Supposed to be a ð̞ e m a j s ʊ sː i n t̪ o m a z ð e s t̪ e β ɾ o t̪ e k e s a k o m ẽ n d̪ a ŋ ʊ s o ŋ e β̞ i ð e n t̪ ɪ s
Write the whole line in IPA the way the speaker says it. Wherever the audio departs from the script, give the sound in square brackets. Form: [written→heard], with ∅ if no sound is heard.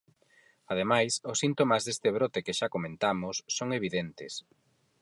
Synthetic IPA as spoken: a ð̞ e m a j s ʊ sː i n t̪ o m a z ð e s t̪ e β ɾ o t̪ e k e [s→ʃ] a k o m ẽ n [d̪→t̪] a [ŋ→m] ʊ [s→sː] o ŋ e β̞ i ð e n t̪ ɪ s